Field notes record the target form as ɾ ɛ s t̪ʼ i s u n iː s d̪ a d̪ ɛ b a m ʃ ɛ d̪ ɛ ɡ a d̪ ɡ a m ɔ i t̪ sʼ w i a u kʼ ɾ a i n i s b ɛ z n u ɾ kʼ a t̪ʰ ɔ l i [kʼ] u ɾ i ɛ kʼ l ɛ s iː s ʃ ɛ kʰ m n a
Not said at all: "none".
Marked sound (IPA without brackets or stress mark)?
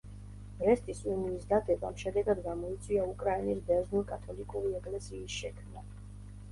kʼ